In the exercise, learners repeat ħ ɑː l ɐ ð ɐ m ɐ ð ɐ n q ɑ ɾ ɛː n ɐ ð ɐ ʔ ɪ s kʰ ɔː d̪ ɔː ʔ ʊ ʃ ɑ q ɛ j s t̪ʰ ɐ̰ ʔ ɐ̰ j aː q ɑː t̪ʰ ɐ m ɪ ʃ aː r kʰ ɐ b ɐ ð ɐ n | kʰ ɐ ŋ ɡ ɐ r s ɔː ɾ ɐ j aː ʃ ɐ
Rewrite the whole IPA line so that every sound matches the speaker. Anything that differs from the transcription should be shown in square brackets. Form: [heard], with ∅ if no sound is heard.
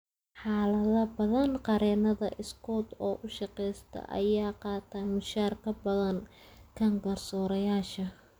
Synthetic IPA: ħ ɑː l ɐ ð ɐ [b] ɐ ð ɐ n q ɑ ɾ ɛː n ɐ ð ɐ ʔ ɪ s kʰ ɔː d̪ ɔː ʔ ʊ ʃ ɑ q ɛ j s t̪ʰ ɐ̰ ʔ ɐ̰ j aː q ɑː t̪ʰ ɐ m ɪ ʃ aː r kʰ ɐ b ɐ ð ɐ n | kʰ ɐ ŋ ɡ ɐ r s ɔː ɾ ɐ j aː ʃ ɐ

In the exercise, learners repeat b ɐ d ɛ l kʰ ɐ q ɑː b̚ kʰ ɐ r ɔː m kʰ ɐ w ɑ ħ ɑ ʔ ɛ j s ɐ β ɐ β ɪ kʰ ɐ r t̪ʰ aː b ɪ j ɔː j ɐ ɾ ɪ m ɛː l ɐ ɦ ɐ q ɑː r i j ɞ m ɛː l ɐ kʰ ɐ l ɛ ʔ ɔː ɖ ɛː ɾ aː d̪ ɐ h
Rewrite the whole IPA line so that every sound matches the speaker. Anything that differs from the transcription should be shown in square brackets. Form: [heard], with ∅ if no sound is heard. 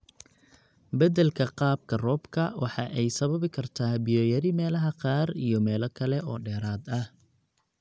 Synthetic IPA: b ɐ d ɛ l kʰ ɐ q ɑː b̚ kʰ ɐ r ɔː [b] kʰ ɐ w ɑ ħ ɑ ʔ ɛ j s ɐ β ɐ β ɪ kʰ ɐ r t̪ʰ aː b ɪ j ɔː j ɐ ɾ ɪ m ɛː l ɐ ɦ ɐ q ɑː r i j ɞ m ɛː l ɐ kʰ ɐ l ɛ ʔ ɔː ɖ ɛː ɾ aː d̪ ɐ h

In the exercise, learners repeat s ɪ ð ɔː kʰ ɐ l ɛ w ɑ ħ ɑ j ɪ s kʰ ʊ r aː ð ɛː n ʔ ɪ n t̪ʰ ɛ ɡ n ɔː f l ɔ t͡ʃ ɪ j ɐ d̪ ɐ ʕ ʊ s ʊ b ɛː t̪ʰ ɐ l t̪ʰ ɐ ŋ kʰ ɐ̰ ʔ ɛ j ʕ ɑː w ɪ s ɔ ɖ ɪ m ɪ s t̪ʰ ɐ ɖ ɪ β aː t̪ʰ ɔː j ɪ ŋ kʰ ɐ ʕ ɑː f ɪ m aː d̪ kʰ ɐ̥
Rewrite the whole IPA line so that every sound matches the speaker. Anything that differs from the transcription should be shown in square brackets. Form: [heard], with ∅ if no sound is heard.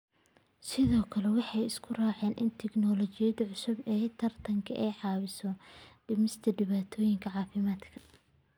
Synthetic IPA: s ɪ ð ɔː kʰ ɐ l ɛ w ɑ ħ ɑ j ɪ s kʰ ʊ r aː [ʕ] ɛː n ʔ ɪ n t̪ʰ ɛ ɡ n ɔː [∅] l ɔ t͡ʃ ɪ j ɐ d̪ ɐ ʕ ʊ s ʊ b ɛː t̪ʰ ɐ [r] t̪ʰ ɐ ŋ kʰ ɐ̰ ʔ ɛ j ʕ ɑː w ɪ s ɔ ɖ ɪ m ɪ s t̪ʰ ɐ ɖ ɪ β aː t̪ʰ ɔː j ɪ ŋ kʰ ɐ ʕ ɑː f ɪ m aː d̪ kʰ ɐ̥

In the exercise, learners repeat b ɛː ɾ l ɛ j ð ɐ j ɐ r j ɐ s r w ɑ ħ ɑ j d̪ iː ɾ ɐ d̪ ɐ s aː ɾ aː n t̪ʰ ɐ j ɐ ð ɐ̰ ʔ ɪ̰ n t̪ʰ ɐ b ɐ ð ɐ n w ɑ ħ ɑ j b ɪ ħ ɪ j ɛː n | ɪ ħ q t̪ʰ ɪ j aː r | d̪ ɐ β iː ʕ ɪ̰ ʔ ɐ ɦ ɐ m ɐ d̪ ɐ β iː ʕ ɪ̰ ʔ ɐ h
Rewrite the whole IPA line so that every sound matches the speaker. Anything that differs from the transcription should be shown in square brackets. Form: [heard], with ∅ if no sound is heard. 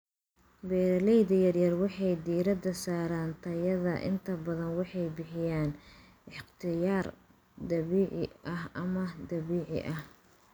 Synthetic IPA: b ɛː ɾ l ɛ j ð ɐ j ɐ r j ɐ [∅] r w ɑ ħ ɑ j d̪ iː ɾ ɐ d̪ ɐ s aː ɾ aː n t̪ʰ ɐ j ɐ ð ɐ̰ ʔ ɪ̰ n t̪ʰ ɐ b ɐ ð ɐ n w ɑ ħ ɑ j b ɪ ħ ɪ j [aː] n | ɪ ħ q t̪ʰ ɪ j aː r | d̪ ɐ β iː ʕ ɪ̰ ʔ ɐ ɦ ɐ m ɐ d̪ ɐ β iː ʕ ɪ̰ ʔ ɐ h

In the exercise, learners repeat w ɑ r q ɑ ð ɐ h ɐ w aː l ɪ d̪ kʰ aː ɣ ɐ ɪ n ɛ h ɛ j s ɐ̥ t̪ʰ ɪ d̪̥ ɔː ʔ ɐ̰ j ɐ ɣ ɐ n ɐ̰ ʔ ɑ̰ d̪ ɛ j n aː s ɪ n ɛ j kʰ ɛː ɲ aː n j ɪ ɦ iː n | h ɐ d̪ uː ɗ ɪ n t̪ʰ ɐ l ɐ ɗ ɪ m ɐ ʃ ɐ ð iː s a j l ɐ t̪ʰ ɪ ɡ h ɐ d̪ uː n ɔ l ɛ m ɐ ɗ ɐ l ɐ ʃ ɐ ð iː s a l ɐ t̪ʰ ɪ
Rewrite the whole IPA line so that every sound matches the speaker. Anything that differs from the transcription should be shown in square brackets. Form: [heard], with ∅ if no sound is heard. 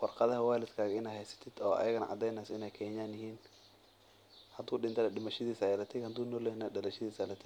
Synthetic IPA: w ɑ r q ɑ ð ɐ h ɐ w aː l ɪ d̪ kʰ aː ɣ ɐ ɪ n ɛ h ɛ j s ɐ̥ t̪ʰ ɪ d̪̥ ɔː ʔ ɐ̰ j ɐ ɣ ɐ n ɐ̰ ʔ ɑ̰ d̪ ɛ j n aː s ɪ n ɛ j kʰ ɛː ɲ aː n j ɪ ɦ iː n | h ɐ d̪ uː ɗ ɪ n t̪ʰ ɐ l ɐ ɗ ɪ m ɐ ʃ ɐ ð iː s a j l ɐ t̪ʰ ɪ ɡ h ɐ d̪ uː n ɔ l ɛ [n] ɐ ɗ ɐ l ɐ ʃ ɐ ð iː s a l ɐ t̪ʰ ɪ

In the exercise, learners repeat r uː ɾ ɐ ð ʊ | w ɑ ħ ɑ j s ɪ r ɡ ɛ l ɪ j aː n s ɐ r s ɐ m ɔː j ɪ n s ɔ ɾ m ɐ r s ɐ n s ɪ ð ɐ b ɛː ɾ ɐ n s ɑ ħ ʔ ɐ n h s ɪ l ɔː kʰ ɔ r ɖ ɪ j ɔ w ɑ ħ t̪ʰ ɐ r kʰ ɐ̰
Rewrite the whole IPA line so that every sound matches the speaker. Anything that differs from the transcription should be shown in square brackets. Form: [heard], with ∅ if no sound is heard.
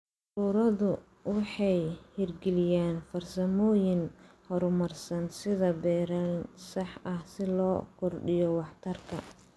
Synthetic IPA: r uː ɾ ɐ ð ʊ | w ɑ ħ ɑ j [h] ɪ r ɡ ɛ l ɪ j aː n [f] ɐ r s ɐ m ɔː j ɪ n [h] ɔ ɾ m ɐ r s ɐ n s ɪ ð ɐ b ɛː ɾ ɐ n s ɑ ħ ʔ ɐ [∅] h s ɪ l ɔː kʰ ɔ r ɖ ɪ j ɔ w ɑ ħ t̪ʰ ɐ r kʰ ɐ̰

